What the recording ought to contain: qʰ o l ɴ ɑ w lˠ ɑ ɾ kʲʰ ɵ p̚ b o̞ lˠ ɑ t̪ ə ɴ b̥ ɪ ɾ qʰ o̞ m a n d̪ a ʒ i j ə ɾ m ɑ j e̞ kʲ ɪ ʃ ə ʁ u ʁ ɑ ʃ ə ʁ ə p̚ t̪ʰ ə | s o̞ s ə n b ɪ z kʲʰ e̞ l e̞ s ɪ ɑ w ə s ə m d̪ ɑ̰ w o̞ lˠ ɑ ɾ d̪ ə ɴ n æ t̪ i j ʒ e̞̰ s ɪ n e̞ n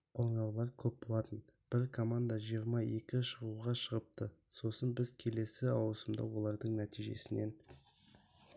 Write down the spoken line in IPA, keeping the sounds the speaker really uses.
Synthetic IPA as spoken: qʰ o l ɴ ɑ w lˠ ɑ ɾ kʲʰ ɵ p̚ b o̞ lˠ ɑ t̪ ə n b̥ ɪ ɾ kʰ o̞ m a n d̪ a ʒ i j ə ɾ m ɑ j e̞ kʲ ɪ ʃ ə ʁ u ʁ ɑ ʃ ə ʁ ə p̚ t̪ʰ ə | s o̞ s ə n b ɪ z kʲʰ e̞ l e̞ s ɪ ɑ w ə s ə m d̪ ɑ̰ w o̞ lˠ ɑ ɾ d̪ ə ɴ n æ t̪ i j ʒ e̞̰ s ɪ n e̞ n

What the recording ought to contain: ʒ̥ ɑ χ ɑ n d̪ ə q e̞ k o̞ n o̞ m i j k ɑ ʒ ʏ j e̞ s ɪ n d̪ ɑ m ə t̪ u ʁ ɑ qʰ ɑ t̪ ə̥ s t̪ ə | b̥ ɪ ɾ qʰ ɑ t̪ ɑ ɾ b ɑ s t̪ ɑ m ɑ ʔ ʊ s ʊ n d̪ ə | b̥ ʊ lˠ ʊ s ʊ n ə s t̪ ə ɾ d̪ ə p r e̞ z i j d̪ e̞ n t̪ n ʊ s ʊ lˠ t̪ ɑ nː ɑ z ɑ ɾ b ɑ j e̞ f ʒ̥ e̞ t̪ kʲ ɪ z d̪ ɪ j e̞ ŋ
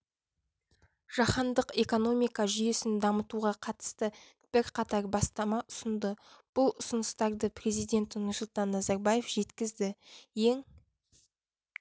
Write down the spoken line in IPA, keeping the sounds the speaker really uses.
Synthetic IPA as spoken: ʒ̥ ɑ χ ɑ n d̪ ə q e̞ k o̞ n o̞ m i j k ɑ ʒ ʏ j e̞ s ɪ n d̪ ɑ m ə t̪ u ʁ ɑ qʰ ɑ t̪ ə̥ s t̪ ə | b̥ ɪ ɾ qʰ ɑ t̪ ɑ ɾ b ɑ s t̪ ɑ m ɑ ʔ ʊ s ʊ n d̪ ə | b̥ ʊ lˠ ʊ s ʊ n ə s t̪ ɑ ɾ d̪ ə p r e̞ z i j d̪ e̞ n t̪ n ʊ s ʊ lˠ t̪ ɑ nː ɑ z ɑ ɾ b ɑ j e̞ f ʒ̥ e̞ t̪ kʲ ɪ z d̪ ɪ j e̞ ŋ

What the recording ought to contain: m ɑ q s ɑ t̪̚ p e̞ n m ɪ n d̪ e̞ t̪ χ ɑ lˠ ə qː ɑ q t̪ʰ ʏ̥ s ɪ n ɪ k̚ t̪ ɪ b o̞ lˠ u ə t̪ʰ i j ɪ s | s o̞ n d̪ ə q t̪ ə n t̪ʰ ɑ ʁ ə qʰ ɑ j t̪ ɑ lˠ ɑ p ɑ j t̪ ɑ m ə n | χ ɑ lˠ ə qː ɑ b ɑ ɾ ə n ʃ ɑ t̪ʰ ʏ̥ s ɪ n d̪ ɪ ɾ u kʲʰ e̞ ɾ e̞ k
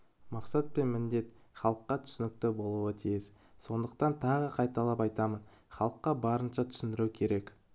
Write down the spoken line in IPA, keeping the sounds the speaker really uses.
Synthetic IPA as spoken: m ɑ q s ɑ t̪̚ p e̞ n m ɪ n d̪ e̞ t̪ χ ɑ lˠ ə qː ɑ t̪ʰ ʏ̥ s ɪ n ɪ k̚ t̪ ɪ b o̞ lˠ u ə t̪ʰ i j ɪ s | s o̞ n d̪ ə q t̪ ɑ n t̪ʰ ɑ ʁ ə qʰ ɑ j t̪ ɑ lˠ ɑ p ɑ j t̪ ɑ m ə n | χ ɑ lˠ ə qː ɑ b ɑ ɾ ə n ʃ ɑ t̪ʰ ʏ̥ s ɪ n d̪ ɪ ɾ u kʲʰ e̞ ɾ e̞ k

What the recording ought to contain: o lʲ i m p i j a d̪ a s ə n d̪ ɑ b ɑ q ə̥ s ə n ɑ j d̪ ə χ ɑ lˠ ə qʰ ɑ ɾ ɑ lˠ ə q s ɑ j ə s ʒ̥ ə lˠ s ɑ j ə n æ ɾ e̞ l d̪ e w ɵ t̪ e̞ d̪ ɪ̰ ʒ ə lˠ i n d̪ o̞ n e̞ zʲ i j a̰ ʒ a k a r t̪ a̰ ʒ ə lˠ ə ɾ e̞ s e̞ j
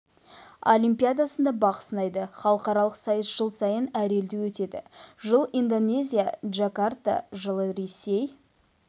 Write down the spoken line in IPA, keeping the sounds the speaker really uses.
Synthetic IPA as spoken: o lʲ i m p i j a d̪ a s ə n d̪ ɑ b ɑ q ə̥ s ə n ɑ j d̪ ə χ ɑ lˠ ə q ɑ ɾ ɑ lˠ ə q s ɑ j ə s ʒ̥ ə lˠ s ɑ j ə n æ ɾ e̞ l d̪ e w ɵ t̪ e̞ d̪ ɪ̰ ʒ ə lˠ i n d̪ o̞ n e̞ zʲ i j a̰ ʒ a k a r t̪ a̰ ʒ ə lˠ ə ɾ e̞ s e̞ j

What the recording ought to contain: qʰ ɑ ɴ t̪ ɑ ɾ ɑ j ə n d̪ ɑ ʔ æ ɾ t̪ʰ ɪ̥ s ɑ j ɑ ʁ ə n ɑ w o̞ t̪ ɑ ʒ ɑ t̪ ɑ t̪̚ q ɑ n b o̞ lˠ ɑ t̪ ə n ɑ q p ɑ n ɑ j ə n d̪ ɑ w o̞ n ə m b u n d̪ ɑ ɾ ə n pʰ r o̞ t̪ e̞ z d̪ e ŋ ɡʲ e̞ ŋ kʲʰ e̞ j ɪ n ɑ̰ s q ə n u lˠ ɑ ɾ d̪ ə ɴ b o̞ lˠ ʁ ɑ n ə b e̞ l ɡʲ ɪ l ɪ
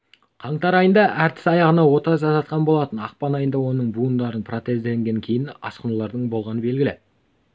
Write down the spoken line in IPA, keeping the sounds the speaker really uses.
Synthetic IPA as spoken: qʰ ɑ ɴ t̪ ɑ ɾ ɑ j ə n d̪ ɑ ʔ æ ɾ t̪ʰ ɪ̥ s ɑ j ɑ ʁ ə n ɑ w o̞ t̪ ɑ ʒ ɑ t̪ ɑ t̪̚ q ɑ n b o̞ lˠ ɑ t̪ ə n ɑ q p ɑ n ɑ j ə n d̪ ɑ w o̞ n ə ɴ b u n d̪ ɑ ɾ ə n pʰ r o̞ t̪ e̞ z d̪ e ŋ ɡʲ e̞ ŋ kʲʰ e̞ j ɪ n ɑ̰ s q ə n u lˠ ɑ ɾ d̪ ə ɴ b o̞ lˠ ʁ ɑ n ə b e̞ l ɡʲ ɪ l ɪ

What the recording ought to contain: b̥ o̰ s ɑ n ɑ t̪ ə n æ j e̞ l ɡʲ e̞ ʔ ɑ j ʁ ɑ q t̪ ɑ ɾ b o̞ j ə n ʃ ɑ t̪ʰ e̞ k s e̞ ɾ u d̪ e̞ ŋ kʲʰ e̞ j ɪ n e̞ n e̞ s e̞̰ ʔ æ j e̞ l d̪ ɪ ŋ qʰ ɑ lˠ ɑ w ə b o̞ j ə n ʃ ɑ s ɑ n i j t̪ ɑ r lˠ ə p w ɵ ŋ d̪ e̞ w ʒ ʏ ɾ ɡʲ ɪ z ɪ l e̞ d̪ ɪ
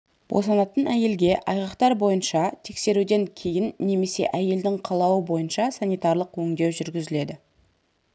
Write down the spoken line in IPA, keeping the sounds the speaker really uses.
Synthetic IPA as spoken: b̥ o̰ s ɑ n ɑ t̪ ə n æ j e̞ l ɡʲ e̞ ʔ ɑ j ʁ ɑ q t̪ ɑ ɾ b o̞ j ə n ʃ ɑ t̪ʰ e̞ k s e̞ ɾ u d̪ e̞ ŋ kʲʰ e̞ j ɪ nː e̞ m e̞ s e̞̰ ʔ æ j e̞ l d̪ ɪ ŋ qʰ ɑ lˠ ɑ w ə b o̞ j ə n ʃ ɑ s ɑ n i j t̪ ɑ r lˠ ə q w ɵ ŋ d̪ e̞ w ʒ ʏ ɾ ɡʲ ɪ z ɪ l e̞ d̪ ɪ

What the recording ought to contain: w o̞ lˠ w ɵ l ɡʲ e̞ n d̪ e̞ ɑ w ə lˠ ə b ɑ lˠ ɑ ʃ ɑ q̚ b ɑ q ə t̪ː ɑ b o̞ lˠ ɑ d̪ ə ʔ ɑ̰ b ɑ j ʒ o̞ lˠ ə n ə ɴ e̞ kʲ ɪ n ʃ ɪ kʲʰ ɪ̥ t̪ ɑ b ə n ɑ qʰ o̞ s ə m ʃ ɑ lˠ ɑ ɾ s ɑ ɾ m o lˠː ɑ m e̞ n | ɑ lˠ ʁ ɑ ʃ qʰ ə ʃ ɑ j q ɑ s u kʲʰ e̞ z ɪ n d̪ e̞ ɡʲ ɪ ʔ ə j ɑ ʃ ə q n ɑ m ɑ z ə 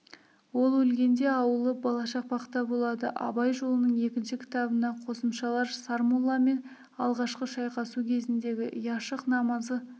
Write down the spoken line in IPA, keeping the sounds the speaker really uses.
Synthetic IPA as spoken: w o̞ lˠ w ɵ l ɡʲ e̞ n d̪ e̞ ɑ w ə lˠ ə b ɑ lˠ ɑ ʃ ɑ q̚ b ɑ q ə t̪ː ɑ b o̞ lˠ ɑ d̪ ə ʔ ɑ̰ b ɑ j ʒ o̞ lˠ ə n ə ɴ e̞ kʲ ɪ n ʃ ɪ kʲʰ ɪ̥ t̪ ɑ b ə n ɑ qʰ o̞ s ə m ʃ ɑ lˠ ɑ ɾ s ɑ ɾ m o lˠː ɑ m e̞ n | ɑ lˠ ʁ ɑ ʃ q ə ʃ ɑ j q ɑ s u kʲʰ e̞ z ɪ n d̪ e̞ ɡʲ ɪ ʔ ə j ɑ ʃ ə q n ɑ m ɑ z ə

